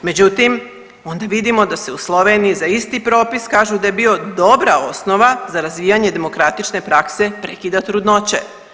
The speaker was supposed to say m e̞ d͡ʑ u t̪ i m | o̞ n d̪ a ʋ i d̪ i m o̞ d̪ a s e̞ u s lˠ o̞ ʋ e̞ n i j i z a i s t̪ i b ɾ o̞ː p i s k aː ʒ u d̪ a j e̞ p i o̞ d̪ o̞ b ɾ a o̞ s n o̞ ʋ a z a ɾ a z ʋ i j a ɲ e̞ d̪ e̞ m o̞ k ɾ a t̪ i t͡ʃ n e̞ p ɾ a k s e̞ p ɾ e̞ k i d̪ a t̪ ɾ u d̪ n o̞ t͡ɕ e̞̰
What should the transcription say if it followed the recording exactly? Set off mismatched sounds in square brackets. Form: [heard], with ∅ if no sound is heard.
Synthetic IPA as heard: m e̞ d͡ʑ u t̪ i m | o̞ n d̪ a ʋ i d̪ i m o̞ d̪ a s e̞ u s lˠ o̞ ʋ e̞ n i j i z a i s t̪ i [p] ɾ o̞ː p i s k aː ʒ u d̪ a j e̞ [b] i o̞ d̪ o̞ b ɾ a o̞ s n o̞ ʋ a z a ɾ a z ʋ i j a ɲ e̞ d̪ e̞ m o̞ k ɾ a t̪ i t͡ʃ n e̞ p ɾ a k s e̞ p ɾ e̞ k i d̪ a t̪ ɾ u d̪ n o̞ t͡ɕ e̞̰